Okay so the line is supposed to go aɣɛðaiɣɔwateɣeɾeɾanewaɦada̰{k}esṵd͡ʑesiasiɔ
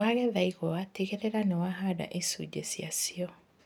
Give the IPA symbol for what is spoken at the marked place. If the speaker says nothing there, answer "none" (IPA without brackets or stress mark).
ʔ